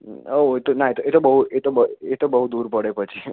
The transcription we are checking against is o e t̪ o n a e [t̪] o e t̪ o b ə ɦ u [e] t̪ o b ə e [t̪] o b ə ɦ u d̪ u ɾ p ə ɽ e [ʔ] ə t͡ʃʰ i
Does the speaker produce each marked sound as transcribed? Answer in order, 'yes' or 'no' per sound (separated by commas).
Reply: yes, yes, yes, no